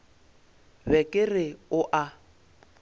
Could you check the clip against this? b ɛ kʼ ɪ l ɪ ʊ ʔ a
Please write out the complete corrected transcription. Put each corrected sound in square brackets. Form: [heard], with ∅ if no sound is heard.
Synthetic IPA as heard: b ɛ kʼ ɪ [r] ɪ ʊ ʔ a